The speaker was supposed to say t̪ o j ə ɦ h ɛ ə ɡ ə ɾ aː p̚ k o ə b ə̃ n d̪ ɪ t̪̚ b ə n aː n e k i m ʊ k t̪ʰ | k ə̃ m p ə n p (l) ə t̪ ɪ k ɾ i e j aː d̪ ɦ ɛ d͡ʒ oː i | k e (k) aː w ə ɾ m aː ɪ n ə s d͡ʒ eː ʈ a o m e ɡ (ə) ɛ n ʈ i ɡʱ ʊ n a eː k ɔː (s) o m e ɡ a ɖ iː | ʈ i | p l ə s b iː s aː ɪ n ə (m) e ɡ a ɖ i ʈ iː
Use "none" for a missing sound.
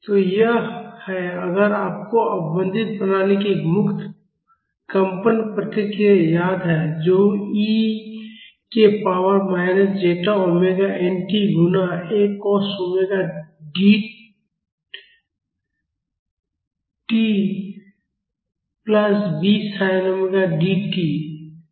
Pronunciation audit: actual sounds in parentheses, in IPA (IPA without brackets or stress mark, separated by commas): ɾ, p, a, s, m